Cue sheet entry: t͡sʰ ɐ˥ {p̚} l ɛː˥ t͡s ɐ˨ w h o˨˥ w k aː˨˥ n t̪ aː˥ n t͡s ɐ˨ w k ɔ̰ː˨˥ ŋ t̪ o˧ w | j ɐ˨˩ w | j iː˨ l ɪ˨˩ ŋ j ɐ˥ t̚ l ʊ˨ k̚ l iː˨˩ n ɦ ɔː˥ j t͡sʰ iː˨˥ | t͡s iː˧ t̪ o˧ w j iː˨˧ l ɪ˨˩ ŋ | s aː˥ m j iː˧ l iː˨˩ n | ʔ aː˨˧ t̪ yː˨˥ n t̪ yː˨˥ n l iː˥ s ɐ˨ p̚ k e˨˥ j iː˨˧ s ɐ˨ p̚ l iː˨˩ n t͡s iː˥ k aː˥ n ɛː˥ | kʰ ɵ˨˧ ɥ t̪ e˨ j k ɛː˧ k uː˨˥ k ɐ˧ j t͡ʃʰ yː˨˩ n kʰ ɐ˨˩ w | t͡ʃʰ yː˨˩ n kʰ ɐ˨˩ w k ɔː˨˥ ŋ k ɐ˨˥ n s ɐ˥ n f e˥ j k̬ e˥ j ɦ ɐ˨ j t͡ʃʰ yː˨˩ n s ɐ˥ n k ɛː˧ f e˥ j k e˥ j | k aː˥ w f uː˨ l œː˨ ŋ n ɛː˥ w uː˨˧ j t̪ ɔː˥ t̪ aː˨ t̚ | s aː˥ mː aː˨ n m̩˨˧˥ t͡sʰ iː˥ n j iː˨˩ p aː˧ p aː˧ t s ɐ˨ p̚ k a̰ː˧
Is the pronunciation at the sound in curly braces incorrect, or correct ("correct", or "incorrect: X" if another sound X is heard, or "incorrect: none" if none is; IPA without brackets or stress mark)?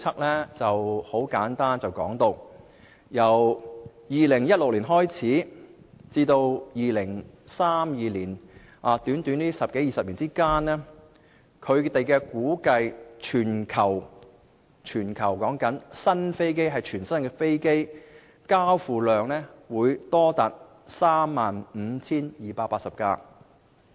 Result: incorrect: k̚